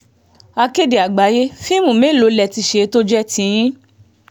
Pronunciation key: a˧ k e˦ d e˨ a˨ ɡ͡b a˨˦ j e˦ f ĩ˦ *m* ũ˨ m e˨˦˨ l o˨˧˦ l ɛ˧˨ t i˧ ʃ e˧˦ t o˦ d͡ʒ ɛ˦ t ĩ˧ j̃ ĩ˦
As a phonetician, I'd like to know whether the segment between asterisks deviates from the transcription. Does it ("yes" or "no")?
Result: no